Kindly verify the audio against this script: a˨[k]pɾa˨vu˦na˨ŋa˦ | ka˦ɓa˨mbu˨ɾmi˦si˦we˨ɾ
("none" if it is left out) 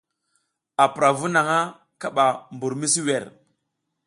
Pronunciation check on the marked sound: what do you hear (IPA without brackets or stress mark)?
none